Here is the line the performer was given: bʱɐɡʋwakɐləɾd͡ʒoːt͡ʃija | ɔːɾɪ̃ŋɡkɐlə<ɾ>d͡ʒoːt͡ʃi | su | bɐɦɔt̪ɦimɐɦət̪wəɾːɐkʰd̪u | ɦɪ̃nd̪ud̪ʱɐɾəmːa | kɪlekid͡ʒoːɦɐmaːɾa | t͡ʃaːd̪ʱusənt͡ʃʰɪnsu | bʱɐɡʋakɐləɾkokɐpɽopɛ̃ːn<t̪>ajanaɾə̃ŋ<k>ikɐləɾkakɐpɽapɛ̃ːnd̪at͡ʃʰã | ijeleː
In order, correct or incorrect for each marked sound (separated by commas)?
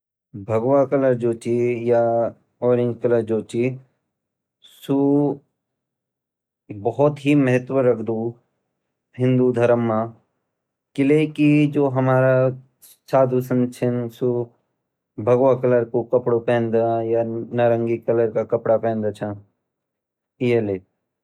correct, incorrect, incorrect